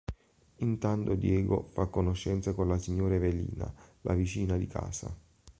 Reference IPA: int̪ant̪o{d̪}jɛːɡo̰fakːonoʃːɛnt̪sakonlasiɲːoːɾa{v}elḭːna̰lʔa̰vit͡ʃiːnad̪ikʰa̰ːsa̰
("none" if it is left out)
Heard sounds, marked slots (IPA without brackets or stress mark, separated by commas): d̪, v